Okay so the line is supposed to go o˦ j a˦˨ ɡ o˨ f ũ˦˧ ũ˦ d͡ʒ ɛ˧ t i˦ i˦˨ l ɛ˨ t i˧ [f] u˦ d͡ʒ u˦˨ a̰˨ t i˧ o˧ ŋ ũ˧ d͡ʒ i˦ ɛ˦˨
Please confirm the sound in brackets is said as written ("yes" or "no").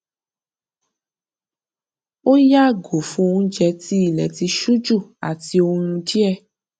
no